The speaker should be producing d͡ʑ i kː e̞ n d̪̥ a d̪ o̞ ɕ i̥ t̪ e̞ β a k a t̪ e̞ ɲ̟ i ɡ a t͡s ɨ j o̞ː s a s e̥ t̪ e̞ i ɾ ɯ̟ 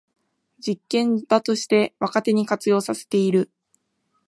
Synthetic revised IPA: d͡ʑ i kː ẽ̞ n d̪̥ a t̪ o̞ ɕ i̥ t̪ e̞ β a k a t̪ e̞ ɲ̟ i k a t͡s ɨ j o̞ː s a s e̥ t̪ e̞ i ɾ ɯ̟